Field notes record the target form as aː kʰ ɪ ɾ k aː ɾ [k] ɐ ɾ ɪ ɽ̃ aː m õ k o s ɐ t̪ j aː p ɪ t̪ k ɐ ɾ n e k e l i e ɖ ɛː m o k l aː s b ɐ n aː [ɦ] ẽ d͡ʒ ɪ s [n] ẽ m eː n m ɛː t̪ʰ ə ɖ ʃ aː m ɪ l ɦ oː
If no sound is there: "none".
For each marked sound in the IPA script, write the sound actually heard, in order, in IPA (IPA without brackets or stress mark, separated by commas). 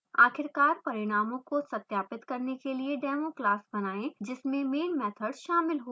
p, none, m